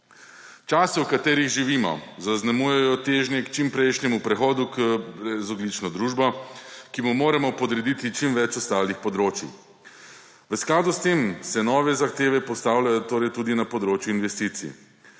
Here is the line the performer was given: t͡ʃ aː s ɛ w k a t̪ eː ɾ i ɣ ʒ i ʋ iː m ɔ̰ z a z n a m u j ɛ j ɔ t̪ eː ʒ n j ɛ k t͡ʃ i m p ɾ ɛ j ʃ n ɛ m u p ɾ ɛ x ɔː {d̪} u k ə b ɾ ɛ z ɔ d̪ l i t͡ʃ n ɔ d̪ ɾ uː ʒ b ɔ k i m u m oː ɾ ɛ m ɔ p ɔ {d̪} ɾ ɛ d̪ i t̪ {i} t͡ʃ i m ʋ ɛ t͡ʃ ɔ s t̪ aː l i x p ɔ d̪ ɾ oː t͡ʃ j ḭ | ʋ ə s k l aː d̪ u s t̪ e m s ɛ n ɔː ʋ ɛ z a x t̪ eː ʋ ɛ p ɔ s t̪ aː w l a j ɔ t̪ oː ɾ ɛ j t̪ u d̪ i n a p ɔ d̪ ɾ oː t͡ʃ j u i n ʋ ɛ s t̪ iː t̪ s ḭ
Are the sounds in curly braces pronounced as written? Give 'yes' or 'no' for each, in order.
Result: yes, yes, yes

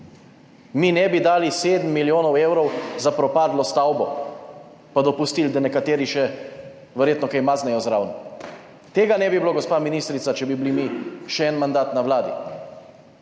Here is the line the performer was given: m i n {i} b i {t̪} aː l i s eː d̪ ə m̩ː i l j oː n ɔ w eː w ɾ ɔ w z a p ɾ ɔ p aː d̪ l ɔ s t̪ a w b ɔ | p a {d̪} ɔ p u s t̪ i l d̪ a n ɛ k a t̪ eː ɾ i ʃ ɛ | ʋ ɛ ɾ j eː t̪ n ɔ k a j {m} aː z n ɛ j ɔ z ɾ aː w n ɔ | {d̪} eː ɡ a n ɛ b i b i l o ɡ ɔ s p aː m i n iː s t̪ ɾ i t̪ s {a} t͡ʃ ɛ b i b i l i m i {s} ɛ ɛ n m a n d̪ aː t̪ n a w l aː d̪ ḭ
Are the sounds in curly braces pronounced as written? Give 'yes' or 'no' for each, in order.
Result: no, no, yes, yes, no, yes, no

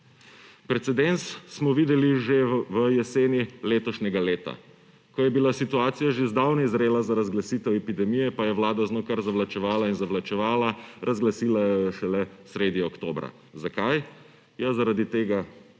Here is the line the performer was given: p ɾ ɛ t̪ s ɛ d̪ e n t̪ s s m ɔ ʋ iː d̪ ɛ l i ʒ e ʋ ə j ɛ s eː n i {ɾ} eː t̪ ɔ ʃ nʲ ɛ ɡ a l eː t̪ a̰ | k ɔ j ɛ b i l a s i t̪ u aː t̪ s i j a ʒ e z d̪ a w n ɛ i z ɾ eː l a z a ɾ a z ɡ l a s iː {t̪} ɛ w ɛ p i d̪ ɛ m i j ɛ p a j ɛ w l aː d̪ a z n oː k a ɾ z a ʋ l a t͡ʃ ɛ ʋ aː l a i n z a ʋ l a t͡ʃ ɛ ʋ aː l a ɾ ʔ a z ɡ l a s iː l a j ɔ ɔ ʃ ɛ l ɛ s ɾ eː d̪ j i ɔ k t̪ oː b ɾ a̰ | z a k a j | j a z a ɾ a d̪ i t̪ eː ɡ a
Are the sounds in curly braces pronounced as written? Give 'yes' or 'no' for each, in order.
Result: no, yes

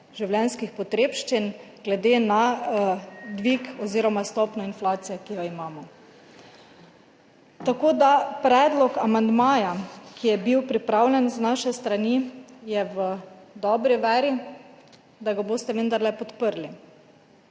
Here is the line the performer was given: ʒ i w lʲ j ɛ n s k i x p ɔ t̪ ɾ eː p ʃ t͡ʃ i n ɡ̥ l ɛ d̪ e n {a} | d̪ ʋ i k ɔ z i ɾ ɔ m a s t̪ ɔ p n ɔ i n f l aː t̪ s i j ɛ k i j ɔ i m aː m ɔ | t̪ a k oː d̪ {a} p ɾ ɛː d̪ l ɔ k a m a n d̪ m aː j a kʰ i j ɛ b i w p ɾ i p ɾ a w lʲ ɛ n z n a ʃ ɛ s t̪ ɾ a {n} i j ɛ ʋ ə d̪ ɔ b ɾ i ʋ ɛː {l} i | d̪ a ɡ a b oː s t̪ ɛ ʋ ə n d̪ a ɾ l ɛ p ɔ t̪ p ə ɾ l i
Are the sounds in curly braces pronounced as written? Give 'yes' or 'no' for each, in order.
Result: yes, yes, yes, no

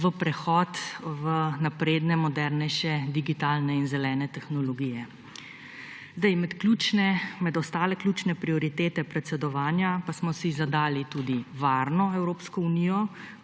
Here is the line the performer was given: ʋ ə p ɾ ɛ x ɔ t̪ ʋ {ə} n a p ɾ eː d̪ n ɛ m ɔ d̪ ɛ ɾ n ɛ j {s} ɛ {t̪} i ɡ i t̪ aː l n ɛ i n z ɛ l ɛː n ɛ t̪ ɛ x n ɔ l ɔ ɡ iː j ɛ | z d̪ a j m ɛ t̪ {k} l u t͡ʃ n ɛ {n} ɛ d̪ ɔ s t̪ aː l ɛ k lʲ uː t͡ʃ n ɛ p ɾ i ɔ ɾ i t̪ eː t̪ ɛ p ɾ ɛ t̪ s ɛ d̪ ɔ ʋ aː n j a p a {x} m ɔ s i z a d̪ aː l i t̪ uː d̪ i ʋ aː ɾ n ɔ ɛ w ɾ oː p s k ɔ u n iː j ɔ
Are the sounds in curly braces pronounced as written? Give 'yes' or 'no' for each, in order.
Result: yes, no, no, yes, no, no

